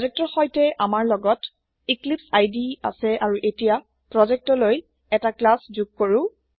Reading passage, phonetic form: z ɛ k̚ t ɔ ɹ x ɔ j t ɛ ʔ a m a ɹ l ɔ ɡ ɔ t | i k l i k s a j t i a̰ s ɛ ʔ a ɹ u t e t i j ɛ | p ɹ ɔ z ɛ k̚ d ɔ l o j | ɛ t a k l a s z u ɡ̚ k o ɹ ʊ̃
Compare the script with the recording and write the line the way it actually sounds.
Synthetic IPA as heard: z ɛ k̚ t ɔ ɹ x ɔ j t ɛ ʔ a m a ɹ l ɔ ɡ ɔ t | i k l i p s a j d i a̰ s ɛ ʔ a ɹ u ʔ e t i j a | p ɹ ɔ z ɛ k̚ t ɔ l o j | ɛ t a k l a s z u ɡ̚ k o ɹ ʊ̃